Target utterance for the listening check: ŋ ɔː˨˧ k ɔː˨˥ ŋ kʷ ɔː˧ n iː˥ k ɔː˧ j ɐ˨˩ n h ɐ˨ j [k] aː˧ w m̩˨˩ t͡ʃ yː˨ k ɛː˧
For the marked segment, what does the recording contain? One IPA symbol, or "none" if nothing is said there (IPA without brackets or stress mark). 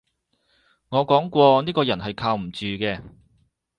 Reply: kʰ